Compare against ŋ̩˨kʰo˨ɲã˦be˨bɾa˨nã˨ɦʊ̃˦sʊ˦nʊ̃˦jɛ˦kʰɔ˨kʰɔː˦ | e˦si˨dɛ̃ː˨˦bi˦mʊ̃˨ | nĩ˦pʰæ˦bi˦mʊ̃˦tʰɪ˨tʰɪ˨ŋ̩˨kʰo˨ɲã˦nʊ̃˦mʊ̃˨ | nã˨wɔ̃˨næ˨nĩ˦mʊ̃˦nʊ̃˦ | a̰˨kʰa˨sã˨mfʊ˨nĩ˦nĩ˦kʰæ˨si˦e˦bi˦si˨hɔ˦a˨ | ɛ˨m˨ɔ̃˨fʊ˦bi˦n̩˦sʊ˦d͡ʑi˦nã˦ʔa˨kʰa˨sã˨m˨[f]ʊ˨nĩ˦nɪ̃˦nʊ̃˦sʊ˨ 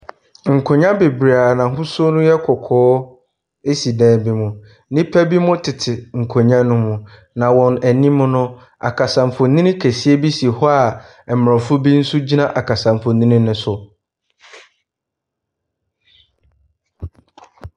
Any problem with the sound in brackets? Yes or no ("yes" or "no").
no